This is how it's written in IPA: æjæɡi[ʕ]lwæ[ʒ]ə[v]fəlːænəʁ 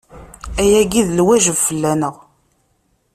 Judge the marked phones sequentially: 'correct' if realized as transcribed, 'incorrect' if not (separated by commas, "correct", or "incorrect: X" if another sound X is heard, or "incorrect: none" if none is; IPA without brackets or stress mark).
incorrect: ð, correct, correct